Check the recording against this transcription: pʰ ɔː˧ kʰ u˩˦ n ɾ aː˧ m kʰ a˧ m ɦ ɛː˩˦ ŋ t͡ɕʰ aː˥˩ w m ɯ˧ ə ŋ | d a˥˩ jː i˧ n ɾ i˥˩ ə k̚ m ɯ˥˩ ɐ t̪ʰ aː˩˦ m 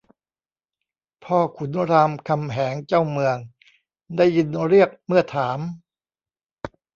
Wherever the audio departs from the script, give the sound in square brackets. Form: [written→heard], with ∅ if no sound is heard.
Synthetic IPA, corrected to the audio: pʰ [ɔː˧→ɔː˥˩] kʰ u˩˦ n ɾ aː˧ m kʰ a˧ m ɦ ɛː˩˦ ŋ [t͡ɕʰ→t͡ɕ] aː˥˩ w m ɯ˧ ə ŋ | d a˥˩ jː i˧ n ɾ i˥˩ ə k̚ m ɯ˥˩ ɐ t̪ʰ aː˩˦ m

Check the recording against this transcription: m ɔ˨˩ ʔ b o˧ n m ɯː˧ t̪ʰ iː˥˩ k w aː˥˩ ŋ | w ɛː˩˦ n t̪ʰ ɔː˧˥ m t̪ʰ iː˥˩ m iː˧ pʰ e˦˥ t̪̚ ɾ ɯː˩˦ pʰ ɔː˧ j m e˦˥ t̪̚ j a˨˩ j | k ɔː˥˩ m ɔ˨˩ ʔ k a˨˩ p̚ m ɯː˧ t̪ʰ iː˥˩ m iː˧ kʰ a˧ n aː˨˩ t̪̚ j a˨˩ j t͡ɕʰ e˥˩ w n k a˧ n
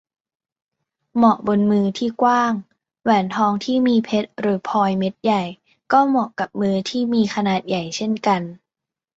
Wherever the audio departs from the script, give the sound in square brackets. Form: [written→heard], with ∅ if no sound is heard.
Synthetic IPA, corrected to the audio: m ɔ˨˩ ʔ b o˧ n m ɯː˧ t̪ʰ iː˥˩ k w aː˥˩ ŋ | w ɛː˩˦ n t̪ʰ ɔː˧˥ [m→ŋ] t̪ʰ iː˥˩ m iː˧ pʰ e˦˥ t̪̚ ɾ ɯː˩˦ pʰ ɔː˧ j m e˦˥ t̪̚ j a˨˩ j | k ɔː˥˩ m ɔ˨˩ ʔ k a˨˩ p̚ m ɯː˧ t̪ʰ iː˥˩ m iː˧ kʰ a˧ n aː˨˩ t̪̚ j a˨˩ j t͡ɕʰ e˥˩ [w→∅] n k a˧ n

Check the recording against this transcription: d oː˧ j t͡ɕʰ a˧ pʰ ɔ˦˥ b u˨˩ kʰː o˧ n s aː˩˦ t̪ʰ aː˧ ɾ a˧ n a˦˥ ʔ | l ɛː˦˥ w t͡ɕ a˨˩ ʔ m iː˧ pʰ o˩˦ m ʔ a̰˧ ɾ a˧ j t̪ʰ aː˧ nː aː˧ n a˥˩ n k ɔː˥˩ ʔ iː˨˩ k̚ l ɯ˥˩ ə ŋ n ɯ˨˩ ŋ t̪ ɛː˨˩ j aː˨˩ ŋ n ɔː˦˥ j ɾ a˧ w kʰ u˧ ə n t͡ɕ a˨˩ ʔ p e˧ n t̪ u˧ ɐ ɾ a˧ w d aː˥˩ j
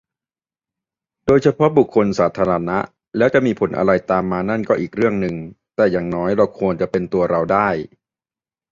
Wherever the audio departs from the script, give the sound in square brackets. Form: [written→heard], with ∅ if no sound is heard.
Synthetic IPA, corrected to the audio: d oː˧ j t͡ɕʰ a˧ pʰ ɔ˦˥ b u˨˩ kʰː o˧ n s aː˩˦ t̪ʰ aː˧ ɾ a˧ n a˦˥ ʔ | l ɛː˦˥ w t͡ɕ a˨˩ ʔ m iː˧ pʰ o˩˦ [m→n] ʔ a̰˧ ɾ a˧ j [t̪ʰ→t̪] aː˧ [nː→mː] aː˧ n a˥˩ n k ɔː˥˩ ʔ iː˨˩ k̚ [l→ɾ] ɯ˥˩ ə ŋ n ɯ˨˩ ŋ t̪ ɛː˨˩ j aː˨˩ ŋ n ɔː˦˥ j ɾ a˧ w kʰ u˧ ə n t͡ɕ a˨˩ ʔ p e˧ n t̪ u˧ ɐ ɾ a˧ w d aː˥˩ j

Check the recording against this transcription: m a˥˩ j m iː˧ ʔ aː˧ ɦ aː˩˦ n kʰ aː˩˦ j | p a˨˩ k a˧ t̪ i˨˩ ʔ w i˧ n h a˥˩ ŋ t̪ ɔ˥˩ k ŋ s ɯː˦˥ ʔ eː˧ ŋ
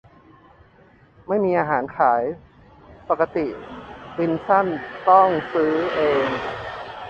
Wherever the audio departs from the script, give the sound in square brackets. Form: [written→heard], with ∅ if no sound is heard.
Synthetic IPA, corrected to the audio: m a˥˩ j m iː˧ ʔ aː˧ ɦ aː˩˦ n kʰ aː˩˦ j | p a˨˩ k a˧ t̪ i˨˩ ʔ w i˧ n [h→s] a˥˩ [ŋ→n] t̪ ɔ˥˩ [k→∅] ŋ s ɯː˦˥ ʔ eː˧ ŋ

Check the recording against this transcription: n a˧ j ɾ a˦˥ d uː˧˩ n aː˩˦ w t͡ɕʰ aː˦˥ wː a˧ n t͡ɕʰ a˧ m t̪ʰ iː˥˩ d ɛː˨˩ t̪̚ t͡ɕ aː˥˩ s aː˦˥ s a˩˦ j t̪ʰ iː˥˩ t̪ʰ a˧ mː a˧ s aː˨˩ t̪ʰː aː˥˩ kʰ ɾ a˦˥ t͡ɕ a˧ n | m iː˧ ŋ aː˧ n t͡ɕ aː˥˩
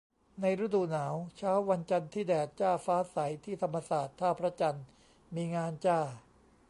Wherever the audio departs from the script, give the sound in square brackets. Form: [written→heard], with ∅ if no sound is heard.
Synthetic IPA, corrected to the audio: n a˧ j ɾ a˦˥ d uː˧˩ n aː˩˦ w t͡ɕʰ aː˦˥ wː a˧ n [t͡ɕʰ→t͡ɕ] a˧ [m→n] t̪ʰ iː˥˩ d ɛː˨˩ t̪̚ t͡ɕ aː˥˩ [s→f] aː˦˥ s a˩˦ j t̪ʰ iː˥˩ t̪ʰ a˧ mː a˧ s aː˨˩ t̪ʰː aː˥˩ [kʰ→pʰ] ɾ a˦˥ t͡ɕ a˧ n | m iː˧ ŋ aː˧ n t͡ɕ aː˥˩

